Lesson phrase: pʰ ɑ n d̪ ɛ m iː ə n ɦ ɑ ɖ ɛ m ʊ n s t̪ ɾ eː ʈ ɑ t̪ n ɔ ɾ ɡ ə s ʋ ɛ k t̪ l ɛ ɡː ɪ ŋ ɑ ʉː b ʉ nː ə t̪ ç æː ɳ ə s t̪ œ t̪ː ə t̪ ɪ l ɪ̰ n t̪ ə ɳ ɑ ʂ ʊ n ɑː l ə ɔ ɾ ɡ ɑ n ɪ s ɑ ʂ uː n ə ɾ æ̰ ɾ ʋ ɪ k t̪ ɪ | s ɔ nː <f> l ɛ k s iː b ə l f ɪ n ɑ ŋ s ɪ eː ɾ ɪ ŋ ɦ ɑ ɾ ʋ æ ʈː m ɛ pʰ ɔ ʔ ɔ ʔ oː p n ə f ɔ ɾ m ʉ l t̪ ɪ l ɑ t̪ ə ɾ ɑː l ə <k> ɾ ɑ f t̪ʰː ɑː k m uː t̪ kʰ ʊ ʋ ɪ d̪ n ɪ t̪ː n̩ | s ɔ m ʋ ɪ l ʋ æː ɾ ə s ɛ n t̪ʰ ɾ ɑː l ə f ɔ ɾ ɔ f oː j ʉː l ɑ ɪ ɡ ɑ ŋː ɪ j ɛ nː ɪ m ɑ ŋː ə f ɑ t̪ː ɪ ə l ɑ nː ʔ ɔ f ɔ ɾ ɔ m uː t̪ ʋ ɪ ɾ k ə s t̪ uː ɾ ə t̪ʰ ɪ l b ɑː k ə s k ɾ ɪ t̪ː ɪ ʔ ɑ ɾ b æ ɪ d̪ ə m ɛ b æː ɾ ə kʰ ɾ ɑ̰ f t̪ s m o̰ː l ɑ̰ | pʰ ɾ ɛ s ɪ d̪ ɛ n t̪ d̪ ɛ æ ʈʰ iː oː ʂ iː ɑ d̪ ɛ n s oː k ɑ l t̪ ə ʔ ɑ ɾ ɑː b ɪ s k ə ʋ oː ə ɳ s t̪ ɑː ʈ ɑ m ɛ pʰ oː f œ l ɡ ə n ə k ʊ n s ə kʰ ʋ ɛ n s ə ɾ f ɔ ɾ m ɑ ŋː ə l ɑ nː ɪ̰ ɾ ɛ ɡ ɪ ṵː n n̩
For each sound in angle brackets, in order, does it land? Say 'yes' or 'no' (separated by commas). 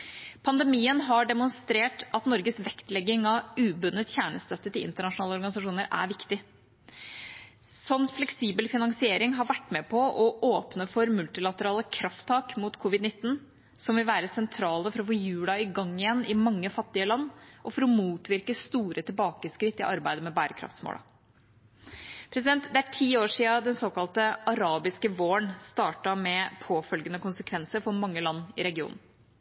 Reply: yes, no